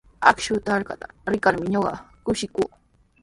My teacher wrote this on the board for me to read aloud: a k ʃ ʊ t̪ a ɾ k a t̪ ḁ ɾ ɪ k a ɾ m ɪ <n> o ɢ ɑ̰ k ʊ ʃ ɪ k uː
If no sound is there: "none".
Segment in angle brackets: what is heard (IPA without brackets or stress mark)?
ɲ